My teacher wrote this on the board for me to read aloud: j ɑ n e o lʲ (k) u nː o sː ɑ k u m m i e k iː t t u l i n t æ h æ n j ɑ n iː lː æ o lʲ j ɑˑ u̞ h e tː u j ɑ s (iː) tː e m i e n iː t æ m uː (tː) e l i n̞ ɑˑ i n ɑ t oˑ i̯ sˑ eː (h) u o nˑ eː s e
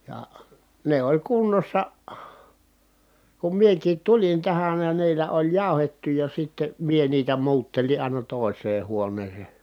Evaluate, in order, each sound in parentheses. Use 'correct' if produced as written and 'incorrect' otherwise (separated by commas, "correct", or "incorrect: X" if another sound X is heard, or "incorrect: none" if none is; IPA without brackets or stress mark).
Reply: correct, incorrect: i, correct, correct